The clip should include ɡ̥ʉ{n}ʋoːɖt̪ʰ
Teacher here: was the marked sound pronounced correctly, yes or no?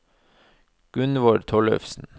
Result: yes